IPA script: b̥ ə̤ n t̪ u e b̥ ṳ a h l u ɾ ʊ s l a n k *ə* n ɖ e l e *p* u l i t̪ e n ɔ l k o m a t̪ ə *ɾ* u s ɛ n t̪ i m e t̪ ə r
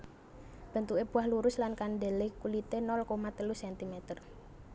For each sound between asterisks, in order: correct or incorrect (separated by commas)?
incorrect, incorrect, incorrect